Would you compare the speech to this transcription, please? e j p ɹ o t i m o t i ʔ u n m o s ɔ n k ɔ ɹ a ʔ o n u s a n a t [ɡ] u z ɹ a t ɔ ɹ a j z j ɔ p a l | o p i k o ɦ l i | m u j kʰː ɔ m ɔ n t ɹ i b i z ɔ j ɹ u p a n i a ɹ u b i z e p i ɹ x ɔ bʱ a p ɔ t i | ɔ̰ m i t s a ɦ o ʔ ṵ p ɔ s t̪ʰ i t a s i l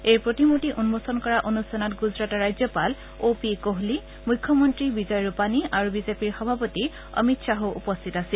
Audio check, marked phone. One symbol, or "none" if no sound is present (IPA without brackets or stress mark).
ɡ